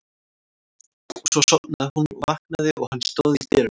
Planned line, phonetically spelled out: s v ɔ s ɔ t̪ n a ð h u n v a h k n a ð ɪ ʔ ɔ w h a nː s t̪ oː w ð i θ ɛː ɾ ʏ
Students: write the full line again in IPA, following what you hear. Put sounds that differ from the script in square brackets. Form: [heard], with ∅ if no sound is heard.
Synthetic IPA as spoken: s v ɔ s ɔ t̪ n a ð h u n v a h k n a ð ɪ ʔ ɔ [ɣ] h a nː s t̪ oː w ð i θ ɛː ɾ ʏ